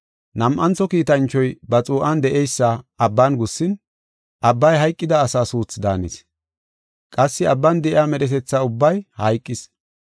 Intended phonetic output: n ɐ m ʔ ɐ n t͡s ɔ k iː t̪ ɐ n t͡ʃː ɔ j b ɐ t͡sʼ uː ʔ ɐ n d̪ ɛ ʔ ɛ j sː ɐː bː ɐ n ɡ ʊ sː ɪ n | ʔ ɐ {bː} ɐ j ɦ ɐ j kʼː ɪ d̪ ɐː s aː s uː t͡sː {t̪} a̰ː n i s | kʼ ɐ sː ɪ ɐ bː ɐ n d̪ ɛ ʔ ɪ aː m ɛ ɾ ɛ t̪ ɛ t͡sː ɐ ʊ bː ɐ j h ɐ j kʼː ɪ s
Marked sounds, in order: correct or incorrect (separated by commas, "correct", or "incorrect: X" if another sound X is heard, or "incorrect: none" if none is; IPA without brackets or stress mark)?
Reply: correct, incorrect: d̪